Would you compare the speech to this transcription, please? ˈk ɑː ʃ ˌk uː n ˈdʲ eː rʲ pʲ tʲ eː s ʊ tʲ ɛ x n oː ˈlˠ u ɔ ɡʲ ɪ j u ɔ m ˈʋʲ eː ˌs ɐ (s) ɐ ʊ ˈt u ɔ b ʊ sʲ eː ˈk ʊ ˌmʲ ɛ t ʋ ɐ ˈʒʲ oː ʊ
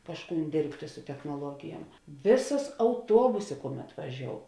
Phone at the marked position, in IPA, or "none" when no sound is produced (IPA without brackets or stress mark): s